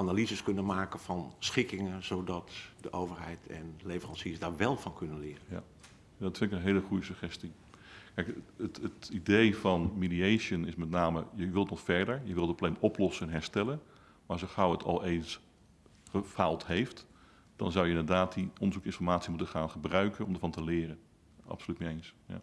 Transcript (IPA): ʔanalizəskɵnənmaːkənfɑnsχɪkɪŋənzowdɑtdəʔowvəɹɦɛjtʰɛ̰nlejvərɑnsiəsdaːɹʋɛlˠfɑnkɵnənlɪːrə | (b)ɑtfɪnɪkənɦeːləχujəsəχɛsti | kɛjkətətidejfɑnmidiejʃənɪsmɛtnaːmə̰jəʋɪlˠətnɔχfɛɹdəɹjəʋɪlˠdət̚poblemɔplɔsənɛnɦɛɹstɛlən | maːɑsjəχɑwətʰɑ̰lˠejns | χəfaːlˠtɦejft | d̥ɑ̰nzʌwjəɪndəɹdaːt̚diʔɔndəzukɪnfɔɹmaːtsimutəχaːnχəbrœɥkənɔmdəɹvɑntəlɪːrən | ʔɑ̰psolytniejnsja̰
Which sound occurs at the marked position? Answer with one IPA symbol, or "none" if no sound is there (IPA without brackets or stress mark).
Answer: d